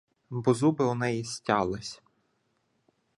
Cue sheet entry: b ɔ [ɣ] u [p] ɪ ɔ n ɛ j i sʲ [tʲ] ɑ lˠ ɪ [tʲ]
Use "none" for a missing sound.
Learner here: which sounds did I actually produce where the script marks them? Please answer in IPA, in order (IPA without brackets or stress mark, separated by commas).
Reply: z, b, tʲ, sʲ